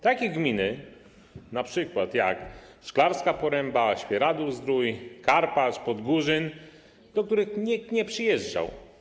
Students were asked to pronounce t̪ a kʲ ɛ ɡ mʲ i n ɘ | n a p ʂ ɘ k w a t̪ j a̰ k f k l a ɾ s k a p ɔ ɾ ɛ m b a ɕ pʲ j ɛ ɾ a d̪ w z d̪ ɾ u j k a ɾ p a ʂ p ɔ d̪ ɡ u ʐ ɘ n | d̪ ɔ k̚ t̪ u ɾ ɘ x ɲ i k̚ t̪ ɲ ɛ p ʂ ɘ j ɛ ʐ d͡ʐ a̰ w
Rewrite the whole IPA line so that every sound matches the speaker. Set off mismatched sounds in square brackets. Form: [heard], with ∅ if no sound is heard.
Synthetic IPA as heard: t̪ a kʲ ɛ ɡ mʲ i n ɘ | n a p ʂ ɘ k w a t̪ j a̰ k [ʂ] k l a ɾ s k a p ɔ ɾ ɛ m b a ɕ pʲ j ɛ ɾ a d̪ [u] z d̪ ɾ u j k a ɾ p a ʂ p ɔ d̪ ɡ u ʐ ɘ n | d̪ ɔ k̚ t̪ u ɾ ɘ x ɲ i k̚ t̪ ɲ ɛ p ʂ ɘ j ɛ ʐ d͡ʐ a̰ w